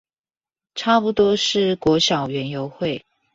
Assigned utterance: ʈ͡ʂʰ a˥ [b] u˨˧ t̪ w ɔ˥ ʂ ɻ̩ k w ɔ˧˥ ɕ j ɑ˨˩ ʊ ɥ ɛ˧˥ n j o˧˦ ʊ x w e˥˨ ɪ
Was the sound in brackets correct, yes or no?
no